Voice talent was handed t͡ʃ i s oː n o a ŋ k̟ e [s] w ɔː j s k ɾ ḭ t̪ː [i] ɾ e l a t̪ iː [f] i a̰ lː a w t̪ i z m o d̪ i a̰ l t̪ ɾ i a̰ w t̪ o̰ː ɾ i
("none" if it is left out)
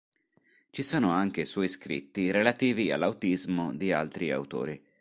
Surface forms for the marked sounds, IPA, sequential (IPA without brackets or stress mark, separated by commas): s, i, v